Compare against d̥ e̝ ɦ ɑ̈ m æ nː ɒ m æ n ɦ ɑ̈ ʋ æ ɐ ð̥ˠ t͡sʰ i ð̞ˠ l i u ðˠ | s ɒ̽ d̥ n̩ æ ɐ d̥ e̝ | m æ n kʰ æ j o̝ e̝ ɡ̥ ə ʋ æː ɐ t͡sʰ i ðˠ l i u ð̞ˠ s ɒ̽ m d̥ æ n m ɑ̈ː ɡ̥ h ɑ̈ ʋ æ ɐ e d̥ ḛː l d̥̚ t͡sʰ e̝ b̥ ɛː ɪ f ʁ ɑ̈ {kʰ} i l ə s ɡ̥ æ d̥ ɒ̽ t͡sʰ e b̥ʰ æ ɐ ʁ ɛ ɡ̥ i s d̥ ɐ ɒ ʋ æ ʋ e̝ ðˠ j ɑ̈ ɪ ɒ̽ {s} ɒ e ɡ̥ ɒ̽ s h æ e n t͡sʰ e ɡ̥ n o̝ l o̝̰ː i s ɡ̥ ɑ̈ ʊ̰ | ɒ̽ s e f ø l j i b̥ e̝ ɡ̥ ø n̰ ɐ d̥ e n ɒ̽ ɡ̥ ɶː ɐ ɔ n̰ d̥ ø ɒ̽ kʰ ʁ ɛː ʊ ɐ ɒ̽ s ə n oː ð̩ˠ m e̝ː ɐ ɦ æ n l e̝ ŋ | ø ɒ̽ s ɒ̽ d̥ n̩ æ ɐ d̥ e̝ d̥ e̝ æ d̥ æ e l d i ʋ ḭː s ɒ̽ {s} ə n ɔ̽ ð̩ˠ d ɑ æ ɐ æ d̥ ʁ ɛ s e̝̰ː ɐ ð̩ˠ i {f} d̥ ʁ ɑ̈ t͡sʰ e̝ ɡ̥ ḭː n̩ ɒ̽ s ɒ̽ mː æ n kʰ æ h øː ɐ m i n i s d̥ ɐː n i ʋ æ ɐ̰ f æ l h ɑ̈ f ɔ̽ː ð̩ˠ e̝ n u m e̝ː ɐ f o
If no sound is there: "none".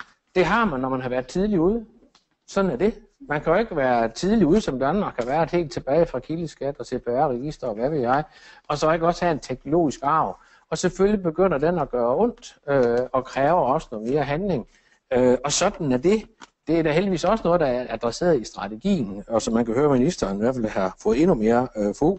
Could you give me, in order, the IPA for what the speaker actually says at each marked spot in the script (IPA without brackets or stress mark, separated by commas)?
kʰ, s, s, s